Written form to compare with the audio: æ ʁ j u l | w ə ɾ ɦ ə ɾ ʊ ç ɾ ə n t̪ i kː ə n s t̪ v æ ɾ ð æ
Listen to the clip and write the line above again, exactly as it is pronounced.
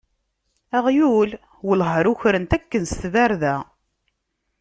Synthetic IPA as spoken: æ ʁ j u l | w ə l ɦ ə ɾ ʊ ç ɾ ə n t̪ æ kː ə n s t̪ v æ ɾ ð æ